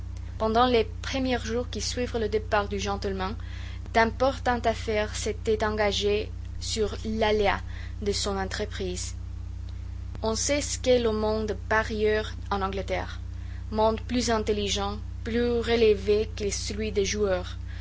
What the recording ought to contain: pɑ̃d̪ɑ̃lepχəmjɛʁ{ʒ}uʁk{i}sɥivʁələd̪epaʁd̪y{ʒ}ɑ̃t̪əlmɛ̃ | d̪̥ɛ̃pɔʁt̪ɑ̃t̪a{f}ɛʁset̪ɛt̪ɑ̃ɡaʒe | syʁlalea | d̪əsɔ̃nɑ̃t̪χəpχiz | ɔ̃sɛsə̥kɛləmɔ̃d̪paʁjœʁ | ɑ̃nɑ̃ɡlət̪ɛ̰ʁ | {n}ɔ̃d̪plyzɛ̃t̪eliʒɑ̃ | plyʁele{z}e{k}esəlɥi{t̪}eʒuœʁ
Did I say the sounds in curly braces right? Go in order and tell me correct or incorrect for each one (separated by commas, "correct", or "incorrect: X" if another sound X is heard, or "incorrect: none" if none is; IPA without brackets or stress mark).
correct, correct, correct, correct, incorrect: m, incorrect: v, correct, incorrect: d̪